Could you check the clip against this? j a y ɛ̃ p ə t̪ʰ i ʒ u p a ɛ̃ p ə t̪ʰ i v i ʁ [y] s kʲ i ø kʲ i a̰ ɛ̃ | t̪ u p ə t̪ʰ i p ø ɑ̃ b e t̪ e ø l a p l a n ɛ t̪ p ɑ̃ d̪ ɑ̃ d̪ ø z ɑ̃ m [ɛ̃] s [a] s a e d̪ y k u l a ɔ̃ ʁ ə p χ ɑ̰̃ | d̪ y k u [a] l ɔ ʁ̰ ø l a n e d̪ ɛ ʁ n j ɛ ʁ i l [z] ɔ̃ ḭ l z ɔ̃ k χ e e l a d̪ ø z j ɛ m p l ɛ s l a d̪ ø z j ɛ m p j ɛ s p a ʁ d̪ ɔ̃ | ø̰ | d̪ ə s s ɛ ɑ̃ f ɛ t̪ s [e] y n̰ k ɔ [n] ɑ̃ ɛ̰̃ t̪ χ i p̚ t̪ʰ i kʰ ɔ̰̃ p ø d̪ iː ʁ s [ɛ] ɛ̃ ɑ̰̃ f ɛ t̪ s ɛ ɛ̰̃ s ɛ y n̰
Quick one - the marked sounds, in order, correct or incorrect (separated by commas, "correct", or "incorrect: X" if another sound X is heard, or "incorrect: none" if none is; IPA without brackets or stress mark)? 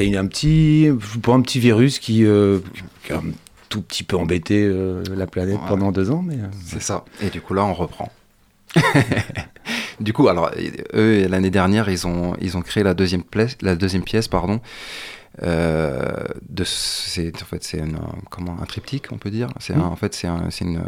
correct, incorrect: ɛ, incorrect: ɛ, correct, correct, incorrect: ɛ, incorrect: m, correct